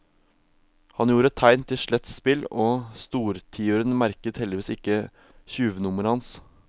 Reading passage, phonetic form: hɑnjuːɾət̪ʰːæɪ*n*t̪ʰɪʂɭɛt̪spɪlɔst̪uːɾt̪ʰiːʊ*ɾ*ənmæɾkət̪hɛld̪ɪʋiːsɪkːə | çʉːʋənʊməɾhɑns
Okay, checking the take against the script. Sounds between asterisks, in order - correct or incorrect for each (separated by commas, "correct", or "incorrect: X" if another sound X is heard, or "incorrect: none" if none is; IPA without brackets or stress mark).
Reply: correct, correct